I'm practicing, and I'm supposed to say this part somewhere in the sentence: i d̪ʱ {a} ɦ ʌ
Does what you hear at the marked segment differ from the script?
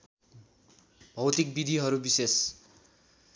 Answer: yes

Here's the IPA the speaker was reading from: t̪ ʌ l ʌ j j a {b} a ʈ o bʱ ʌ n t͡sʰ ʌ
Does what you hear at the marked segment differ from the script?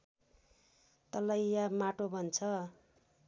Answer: yes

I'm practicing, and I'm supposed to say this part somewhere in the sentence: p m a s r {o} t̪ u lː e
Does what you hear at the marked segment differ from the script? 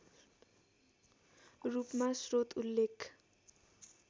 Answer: no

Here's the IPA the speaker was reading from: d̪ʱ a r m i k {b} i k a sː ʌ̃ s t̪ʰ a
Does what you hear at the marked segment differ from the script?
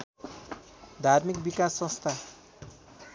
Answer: no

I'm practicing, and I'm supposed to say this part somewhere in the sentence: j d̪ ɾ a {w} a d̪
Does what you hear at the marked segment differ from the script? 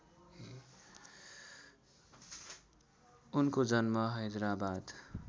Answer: yes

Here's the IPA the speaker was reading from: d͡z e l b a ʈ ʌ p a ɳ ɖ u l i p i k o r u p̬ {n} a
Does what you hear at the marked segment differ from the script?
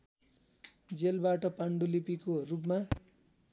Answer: yes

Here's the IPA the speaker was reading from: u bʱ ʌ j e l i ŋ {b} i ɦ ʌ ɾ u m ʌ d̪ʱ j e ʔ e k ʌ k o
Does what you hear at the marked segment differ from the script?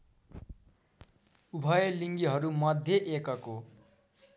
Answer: yes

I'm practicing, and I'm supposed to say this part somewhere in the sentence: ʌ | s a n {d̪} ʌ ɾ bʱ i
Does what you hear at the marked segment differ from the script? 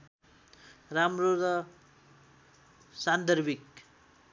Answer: no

